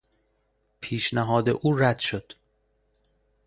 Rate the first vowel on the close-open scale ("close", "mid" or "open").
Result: close